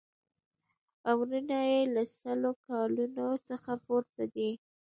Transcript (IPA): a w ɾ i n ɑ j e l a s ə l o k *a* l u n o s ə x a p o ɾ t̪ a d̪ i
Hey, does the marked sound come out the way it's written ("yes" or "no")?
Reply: no